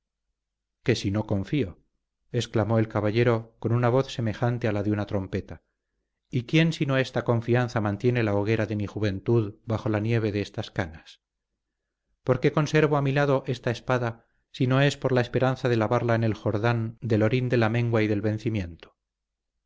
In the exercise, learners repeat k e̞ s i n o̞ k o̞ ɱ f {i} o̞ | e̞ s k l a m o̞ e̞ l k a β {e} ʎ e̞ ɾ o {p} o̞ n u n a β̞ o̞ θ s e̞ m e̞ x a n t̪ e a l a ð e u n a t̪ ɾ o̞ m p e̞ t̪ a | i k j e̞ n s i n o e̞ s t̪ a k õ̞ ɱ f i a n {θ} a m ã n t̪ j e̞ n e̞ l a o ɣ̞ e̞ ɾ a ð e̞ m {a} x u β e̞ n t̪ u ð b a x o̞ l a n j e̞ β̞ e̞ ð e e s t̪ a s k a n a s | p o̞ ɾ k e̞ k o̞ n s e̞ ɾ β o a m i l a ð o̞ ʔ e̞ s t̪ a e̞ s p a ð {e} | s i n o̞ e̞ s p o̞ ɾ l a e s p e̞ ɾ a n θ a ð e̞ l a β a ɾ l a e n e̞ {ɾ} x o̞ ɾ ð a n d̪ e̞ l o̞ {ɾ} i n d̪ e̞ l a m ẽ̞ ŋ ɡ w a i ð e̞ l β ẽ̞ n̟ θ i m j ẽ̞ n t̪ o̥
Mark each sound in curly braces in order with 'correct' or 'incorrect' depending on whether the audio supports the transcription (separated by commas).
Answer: correct, incorrect, incorrect, correct, incorrect, incorrect, incorrect, correct